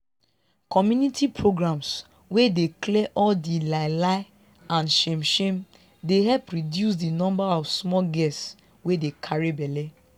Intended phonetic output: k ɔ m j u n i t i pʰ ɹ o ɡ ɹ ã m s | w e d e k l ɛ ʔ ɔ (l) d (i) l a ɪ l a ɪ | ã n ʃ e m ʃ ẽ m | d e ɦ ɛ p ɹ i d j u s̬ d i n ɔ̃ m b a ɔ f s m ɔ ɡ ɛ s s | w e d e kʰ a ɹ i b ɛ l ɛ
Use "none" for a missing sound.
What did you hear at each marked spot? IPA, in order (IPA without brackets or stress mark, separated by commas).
l, i